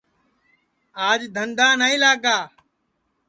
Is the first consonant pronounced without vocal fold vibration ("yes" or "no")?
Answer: no